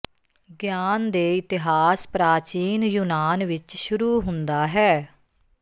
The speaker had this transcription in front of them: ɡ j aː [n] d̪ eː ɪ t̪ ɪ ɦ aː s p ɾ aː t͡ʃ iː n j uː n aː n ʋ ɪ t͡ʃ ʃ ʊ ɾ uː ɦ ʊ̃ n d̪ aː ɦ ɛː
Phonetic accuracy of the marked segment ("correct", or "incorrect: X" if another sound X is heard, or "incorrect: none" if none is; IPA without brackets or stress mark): correct